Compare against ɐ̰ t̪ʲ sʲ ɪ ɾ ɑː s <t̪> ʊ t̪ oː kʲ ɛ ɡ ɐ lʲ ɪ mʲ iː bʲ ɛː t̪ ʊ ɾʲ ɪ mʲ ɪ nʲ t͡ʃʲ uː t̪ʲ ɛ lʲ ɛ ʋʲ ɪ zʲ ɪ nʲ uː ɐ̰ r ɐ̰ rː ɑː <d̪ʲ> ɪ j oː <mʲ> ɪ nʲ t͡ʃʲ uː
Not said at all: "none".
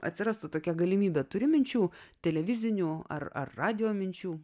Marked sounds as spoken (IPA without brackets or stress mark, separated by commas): t̪, d̪ʲ, mʲ